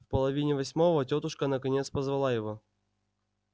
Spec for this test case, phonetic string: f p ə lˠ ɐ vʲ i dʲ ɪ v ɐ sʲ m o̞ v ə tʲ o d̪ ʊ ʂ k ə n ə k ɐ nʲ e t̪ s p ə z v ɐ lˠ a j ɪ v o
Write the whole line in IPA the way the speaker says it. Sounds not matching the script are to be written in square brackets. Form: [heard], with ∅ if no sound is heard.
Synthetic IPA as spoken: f p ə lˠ ɐ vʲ i [nʲ] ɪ v ɐ sʲ m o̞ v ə tʲ o [t̪] ʊ ʂ k ə n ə k ɐ nʲ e t̪ s p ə z v ɐ lˠ a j ɪ v o